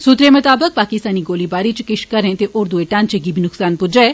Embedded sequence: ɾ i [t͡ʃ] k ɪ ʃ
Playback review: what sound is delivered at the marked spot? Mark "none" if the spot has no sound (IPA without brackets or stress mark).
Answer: t͡ʃ